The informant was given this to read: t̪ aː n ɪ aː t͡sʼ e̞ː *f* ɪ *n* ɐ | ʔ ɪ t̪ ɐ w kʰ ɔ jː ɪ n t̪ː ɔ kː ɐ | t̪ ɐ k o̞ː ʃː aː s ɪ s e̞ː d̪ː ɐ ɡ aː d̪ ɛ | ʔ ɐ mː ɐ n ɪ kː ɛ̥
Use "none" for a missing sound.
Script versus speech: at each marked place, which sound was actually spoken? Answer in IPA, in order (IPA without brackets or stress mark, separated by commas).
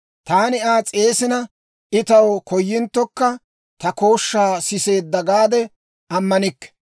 s, n